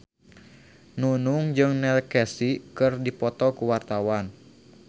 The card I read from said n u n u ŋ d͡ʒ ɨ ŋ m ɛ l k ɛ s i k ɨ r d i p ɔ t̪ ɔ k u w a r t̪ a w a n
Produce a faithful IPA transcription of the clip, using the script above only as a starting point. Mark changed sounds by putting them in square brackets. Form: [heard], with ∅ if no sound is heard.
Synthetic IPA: n u n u ŋ d͡ʒ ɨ ŋ [n] ɛ l k ɛ s i k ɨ r d i p ɔ t̪ ɔ k u w a r t̪ a w a n